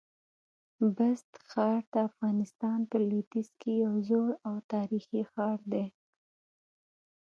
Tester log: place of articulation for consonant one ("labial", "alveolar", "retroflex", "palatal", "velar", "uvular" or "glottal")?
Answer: labial